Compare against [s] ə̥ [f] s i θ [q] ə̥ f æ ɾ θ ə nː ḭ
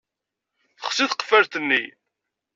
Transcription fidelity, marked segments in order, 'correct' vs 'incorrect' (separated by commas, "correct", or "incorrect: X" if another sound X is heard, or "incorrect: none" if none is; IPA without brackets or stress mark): incorrect: θ, incorrect: χ, correct